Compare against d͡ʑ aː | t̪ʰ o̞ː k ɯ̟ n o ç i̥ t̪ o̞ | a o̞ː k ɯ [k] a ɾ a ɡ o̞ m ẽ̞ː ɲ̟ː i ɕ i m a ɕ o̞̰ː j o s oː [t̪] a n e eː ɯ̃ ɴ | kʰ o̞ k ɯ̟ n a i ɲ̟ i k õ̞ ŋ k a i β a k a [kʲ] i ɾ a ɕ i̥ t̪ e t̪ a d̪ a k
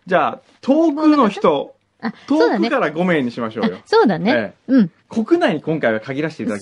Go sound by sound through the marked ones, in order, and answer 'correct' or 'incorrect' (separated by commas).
correct, incorrect, incorrect